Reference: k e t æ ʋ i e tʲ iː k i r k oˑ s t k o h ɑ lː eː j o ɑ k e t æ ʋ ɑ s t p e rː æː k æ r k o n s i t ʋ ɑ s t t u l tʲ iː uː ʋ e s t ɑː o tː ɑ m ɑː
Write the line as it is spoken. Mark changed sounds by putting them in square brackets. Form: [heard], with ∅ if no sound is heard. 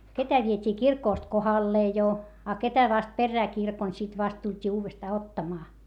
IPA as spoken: k e t æ ʋ i e tʲ iː k i r k oˑ s t k o h ɑ lː eː j o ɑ k e t æ ʋ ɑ s t p e rː æː k [i] r k o n s i t ʋ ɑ s t t u l tʲ iː uː ʋ e s t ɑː o tː ɑ m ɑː

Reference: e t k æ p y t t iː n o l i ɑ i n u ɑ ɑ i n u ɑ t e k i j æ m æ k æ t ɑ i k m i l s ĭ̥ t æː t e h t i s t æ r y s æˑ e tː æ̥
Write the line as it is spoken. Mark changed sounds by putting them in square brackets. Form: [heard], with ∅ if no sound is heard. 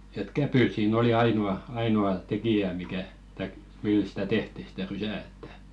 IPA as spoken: e t k æ p y t [s] iː n o l i ɑ i n u ɑ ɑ i n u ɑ t e k i j æ m [i] k æ t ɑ i k m i l s ĭ̥ t [æ] t e h t i s t æ r y s æˑ e tː æ̥

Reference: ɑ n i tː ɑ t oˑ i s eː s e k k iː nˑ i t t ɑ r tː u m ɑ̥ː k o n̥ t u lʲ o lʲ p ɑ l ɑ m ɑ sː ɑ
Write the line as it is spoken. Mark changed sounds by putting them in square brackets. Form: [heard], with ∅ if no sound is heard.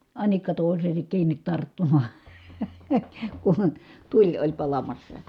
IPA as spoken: ɑ n i [kː] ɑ t oˑ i s eː s e k k iː nˑ i t t ɑ r tː u m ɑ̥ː k [u] n̥ t u lʲ o lʲ p ɑ l ɑ m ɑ sː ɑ

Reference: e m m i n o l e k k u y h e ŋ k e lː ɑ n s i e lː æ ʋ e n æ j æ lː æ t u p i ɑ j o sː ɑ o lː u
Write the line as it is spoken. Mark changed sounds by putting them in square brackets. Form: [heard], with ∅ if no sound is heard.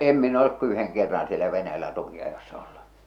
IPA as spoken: e m m i n o l e k k u y h e ŋ k e [rː] ɑ n s i e [l] æ ʋ e n æ j æ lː æ t u [k] i ɑ j o sː ɑ o lː u

